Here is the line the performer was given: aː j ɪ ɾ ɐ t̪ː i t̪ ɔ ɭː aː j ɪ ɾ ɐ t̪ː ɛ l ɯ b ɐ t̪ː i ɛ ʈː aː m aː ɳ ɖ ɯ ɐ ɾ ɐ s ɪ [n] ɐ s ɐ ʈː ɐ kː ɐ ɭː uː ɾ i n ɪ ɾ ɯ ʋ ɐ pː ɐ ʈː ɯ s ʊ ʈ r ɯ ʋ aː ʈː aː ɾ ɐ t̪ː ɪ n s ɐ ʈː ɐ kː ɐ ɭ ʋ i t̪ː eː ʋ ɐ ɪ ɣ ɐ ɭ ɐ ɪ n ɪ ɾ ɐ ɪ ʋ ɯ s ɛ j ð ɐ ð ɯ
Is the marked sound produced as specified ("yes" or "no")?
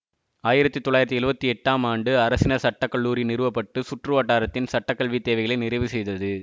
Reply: yes